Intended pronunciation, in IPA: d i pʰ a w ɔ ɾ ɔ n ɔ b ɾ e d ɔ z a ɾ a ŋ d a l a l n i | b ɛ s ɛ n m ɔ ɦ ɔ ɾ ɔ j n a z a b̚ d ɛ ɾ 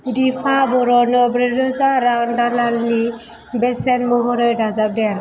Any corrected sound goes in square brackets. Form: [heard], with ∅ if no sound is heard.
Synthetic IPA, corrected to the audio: d i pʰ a [b] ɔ ɾ ɔ n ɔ b ɾ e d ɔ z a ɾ a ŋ d a l a l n i | b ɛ s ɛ n m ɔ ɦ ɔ ɾ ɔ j [d] a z a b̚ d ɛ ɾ